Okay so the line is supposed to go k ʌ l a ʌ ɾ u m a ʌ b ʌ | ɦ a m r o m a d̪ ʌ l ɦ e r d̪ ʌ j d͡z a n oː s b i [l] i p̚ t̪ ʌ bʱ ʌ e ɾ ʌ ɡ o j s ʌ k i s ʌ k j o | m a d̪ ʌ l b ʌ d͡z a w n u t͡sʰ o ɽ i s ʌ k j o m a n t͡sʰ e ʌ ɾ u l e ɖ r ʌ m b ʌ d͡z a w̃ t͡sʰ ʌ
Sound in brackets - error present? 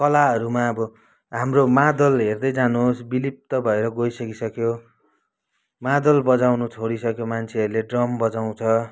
no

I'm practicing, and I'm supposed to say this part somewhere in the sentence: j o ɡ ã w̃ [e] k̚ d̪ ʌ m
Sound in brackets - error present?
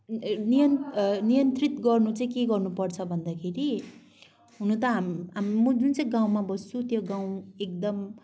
no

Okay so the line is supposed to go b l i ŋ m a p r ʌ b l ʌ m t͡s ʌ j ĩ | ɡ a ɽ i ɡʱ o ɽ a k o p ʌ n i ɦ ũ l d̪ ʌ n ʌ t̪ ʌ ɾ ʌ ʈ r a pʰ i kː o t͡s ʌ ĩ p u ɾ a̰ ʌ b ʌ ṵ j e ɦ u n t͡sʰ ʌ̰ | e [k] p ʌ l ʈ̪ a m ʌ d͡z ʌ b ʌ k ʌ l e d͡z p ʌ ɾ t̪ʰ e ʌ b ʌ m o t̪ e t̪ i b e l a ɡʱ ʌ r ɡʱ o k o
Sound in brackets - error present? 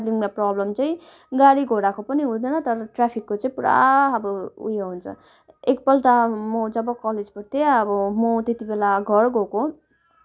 no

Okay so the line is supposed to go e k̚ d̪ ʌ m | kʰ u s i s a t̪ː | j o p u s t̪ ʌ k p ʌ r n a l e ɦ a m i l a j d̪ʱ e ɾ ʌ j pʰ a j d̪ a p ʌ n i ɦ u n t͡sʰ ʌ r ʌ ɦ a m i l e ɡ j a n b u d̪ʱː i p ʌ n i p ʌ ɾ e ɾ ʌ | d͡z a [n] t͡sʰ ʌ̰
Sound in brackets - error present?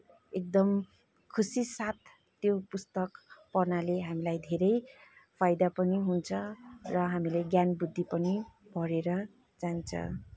no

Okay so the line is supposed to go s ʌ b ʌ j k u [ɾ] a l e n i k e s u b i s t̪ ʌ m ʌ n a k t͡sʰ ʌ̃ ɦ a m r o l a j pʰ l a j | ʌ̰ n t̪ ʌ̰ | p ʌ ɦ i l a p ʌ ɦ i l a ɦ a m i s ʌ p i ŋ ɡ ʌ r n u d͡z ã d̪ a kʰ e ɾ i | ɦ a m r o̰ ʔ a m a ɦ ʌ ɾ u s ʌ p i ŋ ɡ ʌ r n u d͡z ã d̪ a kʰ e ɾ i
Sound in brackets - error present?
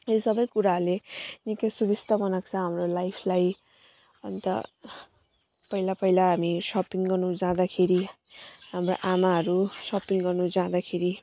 no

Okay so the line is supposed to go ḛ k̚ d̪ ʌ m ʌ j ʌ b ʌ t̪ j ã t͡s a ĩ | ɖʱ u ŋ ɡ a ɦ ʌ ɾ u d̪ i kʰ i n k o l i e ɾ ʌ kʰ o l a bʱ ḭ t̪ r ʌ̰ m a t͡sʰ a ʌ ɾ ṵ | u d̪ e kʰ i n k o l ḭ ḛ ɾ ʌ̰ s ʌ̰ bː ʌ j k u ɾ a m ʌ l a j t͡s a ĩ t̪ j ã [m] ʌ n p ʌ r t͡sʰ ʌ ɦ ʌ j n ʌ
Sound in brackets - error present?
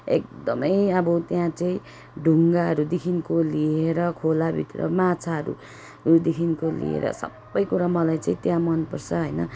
no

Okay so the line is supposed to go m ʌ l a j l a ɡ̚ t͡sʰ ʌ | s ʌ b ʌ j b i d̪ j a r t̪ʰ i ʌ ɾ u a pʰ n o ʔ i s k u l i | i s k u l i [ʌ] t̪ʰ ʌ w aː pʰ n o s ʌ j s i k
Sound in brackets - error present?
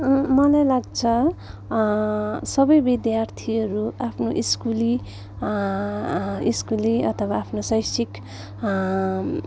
no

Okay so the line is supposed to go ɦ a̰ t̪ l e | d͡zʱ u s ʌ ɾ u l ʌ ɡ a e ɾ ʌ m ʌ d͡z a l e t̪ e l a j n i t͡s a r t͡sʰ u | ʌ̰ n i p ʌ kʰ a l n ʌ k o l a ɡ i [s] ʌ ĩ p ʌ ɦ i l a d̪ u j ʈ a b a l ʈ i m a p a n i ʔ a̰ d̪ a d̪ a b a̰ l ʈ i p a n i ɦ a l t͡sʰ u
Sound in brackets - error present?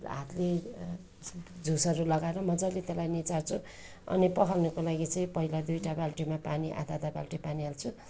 yes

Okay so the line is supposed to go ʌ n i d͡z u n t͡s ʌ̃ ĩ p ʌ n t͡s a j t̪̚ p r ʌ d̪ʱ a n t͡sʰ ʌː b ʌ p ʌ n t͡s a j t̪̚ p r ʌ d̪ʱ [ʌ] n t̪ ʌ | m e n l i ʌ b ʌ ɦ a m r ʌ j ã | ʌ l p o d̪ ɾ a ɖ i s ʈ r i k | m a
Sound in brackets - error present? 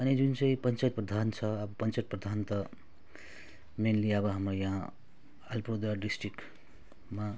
yes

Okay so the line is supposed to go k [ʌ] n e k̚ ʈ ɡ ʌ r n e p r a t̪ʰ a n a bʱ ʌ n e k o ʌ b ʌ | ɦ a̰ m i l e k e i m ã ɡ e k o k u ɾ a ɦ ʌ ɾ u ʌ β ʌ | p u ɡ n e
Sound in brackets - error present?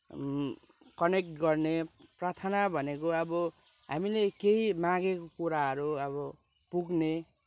no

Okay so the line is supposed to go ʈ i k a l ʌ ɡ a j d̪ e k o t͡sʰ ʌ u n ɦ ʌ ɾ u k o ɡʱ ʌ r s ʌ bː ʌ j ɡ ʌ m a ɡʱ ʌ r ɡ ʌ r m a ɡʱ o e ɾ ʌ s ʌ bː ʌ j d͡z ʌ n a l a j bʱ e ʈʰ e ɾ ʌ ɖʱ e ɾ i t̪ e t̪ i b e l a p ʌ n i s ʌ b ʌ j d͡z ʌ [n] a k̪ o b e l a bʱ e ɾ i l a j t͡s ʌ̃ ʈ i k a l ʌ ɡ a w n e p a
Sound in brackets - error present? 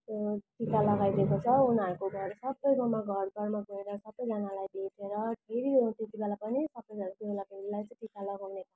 no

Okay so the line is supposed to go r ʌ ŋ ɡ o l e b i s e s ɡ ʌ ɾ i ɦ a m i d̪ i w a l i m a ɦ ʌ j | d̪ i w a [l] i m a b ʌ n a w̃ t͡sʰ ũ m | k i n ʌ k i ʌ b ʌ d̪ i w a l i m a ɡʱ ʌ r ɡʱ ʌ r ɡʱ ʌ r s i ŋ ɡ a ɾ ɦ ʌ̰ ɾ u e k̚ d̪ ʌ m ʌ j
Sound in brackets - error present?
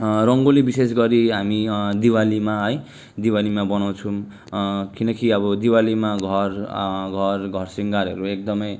no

